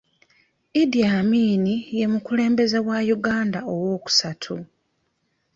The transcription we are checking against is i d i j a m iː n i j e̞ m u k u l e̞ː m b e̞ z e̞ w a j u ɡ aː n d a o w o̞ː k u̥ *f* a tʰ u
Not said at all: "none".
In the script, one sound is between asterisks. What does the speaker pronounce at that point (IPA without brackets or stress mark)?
s